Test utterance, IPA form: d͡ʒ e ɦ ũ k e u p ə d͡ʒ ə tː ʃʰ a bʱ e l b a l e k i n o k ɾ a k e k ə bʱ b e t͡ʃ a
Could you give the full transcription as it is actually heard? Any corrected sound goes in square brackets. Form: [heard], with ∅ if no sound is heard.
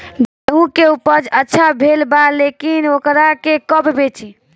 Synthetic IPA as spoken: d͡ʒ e ɦ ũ k e u p ə d͡ʒ ə tː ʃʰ a bʱ e l b a l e k i n o k ɾ a k e k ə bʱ b e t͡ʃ [i]